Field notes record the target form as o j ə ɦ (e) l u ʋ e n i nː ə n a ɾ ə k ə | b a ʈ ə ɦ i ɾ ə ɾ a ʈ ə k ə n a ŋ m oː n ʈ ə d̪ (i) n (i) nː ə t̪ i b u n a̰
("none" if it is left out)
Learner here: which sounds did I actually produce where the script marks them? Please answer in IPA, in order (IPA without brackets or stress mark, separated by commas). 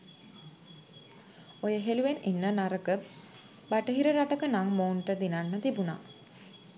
e, i, a